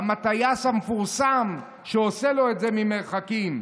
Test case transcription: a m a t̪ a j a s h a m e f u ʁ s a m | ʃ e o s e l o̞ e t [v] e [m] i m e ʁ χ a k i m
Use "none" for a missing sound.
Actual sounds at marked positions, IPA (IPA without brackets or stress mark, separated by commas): z, m